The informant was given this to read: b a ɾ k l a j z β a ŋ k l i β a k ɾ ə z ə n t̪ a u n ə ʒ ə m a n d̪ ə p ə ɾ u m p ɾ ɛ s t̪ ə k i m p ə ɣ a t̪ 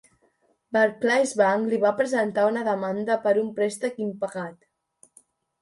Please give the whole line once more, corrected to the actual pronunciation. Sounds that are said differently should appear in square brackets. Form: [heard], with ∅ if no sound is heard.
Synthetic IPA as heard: b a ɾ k l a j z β a ŋ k l i β a [p] ɾ ə z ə n t̪ a u n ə [ð] ə m a n d̪ ə p ə ɾ u m p ɾ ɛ s t̪ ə k i m p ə ɣ a t̪

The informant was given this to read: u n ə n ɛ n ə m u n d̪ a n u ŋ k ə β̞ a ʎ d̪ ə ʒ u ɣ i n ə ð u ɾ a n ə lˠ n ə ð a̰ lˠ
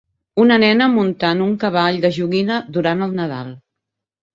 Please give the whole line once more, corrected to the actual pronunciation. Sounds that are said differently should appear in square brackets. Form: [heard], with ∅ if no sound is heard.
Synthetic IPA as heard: u n ə n ɛ n ə m u n [t̪] a n u ŋ k ə β̞ a ʎ d̪ ə ʒ u ɣ i n ə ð u ɾ a n ə lˠ n ə ð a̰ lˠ

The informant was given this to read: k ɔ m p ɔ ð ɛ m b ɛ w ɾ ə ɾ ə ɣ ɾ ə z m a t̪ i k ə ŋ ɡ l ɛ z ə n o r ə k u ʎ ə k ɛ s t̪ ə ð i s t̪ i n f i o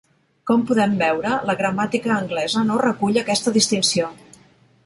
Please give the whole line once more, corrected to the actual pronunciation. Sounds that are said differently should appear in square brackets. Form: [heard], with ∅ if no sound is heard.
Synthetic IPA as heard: k ɔ m p [u] ð ɛ m b ɛ w ɾ ə [l] ə ɣ ɾ ə [∅] m a t̪ i k [əː] ŋ ɡ l ɛ z ə n o r ə k u ʎ ə k ɛ s t̪ ə ð i s t̪ i n [s] i o

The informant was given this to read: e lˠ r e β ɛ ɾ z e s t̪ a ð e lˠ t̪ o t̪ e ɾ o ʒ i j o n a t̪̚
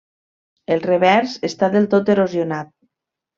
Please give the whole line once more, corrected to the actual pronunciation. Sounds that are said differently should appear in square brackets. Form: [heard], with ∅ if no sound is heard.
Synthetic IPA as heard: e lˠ r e β ɛ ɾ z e s t̪ a ð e lˠ t̪ o t̪ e ɾ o [z] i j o n a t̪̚

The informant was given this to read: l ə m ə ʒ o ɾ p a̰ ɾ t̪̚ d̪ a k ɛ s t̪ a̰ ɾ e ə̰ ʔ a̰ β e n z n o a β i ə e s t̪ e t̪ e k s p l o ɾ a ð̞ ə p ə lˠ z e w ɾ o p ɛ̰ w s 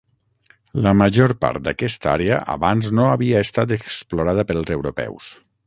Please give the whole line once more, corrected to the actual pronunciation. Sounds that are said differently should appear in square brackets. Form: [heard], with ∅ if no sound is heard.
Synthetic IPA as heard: l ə m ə ʒ o ɾ p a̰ ɾ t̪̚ d̪ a k ɛ s t̪ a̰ ɾ e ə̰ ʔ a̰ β [a] n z n o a β i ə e s t̪ [a] t̪ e k s p l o ɾ a ð̞ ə p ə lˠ z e w ɾ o p ɛ̰ w s

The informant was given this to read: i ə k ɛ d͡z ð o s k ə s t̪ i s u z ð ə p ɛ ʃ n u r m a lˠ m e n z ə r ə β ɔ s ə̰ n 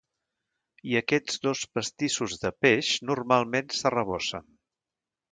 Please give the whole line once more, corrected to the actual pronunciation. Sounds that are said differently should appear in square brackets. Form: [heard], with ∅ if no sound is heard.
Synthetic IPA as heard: i ə k ɛ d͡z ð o s [p] ə s t̪ i s u z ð ə p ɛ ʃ n u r m a lˠ m e n [s] ə r ə β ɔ s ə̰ n

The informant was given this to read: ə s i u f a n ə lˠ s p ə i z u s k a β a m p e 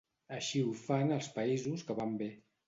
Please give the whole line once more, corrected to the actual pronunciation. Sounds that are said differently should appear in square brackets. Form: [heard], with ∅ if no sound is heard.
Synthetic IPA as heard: ə [ʃ] i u f a n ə lˠ s p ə i z u s k [ə] β a m [b] e

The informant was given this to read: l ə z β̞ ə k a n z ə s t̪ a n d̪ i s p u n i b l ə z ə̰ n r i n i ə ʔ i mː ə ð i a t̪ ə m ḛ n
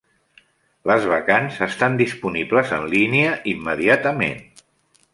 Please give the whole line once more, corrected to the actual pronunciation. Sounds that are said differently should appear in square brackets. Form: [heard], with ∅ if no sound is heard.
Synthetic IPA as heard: l ə z β̞ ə k a n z ə s t̪ a n d̪ i s p u n i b l ə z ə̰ n [l] i n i ə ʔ i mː ə ð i a t̪ ə m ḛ n

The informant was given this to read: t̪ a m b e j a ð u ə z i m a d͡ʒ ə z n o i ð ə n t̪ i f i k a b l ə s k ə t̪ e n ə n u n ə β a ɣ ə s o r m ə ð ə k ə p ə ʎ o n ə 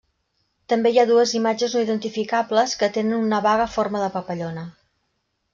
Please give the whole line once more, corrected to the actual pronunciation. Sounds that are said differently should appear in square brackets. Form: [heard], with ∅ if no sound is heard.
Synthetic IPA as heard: t̪ [ə] m b e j a ð u ə z i m a d͡ʒ ə z n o i ð ə n t̪ i f i k a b l ə s k ə t̪ e n ə n u n ə β a ɣ ə [f] o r m ə ð ə [p] ə p ə ʎ o n ə

